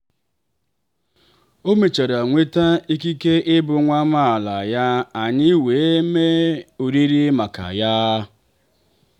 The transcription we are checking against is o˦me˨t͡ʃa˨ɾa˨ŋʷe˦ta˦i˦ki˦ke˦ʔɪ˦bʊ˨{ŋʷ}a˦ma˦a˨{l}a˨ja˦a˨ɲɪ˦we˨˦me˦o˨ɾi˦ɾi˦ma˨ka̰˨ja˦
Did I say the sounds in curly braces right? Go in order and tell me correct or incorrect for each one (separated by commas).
correct, correct